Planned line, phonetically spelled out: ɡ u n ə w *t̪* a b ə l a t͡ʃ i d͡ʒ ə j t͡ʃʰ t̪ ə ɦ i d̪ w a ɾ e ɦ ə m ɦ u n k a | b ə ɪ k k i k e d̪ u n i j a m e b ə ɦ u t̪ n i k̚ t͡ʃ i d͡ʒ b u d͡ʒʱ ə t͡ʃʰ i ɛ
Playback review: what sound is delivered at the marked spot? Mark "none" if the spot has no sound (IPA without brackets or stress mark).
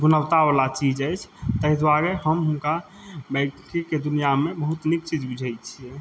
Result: t̪